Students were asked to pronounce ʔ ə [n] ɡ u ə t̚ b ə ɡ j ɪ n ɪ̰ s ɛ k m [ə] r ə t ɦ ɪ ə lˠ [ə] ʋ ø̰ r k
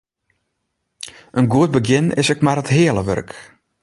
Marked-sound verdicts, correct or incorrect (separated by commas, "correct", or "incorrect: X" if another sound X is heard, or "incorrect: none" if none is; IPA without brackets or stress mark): correct, incorrect: a, correct